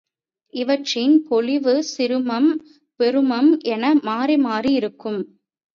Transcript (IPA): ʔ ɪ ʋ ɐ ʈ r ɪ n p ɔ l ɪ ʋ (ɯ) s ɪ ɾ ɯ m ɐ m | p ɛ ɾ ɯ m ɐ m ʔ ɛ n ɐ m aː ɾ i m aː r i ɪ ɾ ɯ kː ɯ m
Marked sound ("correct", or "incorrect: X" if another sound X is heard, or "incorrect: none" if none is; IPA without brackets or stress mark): correct